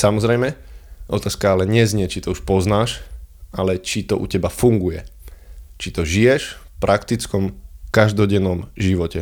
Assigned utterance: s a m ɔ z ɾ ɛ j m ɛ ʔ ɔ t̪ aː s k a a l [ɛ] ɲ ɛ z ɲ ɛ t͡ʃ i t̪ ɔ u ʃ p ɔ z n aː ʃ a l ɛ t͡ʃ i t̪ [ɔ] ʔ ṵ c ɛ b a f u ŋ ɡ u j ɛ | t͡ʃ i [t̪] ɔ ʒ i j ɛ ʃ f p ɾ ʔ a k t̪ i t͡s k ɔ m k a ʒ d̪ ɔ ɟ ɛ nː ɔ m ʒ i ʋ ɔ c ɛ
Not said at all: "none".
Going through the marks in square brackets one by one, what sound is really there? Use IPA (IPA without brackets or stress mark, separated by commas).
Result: ɛ, ɔ, t̪